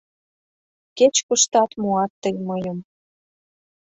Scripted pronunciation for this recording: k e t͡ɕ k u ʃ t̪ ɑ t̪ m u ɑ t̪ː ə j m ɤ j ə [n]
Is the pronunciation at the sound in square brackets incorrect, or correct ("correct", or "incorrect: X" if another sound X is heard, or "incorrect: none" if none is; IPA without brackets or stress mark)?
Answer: incorrect: m